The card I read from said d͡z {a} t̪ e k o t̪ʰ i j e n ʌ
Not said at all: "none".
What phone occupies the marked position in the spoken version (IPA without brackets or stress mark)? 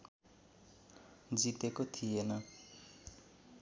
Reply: i